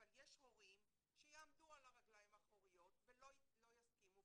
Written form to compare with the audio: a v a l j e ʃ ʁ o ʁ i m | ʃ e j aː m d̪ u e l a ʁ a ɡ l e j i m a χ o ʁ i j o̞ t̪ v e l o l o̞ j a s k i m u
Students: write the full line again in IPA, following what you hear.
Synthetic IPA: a v a l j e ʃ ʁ o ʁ i m | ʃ e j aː m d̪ u a l a ʁ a ɡ l a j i m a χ o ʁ i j o̞ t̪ v e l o l o̞ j a s k i m u